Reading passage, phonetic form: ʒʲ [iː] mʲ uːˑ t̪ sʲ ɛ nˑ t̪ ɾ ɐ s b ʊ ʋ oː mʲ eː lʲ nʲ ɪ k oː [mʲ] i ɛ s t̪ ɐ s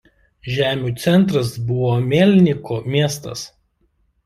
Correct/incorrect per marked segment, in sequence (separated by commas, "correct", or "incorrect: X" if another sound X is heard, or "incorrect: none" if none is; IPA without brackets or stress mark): incorrect: æː, correct